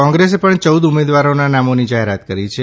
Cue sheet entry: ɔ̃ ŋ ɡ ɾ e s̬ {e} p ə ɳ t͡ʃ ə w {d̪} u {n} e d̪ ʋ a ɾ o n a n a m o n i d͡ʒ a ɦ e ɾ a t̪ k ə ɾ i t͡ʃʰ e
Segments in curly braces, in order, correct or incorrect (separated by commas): correct, correct, incorrect